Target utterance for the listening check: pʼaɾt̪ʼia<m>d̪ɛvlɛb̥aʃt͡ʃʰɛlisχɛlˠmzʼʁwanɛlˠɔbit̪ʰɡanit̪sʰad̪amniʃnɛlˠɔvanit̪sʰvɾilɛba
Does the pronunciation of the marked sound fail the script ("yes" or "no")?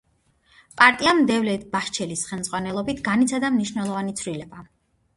no